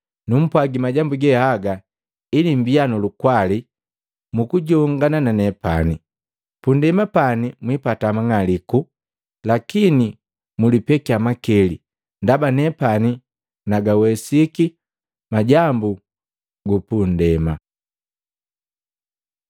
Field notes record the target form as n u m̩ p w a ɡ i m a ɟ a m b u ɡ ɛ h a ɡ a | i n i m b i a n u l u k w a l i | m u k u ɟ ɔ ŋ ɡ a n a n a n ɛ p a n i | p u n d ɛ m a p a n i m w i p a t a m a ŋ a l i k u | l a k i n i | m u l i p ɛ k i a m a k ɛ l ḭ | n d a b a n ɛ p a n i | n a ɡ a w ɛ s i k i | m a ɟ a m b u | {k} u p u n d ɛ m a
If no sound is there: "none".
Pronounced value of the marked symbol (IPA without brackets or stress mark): ɡ